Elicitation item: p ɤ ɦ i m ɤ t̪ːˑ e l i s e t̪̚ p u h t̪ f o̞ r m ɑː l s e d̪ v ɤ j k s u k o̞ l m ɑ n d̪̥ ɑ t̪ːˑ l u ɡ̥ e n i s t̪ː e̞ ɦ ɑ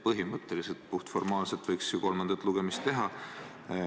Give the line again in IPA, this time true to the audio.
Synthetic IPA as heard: p ɤ ɦ i m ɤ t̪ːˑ e l i s e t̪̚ p u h t̪ f o̞ r m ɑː l s e t̪ v ɤ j k s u k o̞ l m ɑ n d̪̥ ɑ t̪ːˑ l u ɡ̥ e m i s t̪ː e̞ ɦ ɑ